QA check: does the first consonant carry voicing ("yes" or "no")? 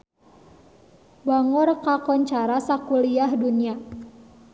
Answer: yes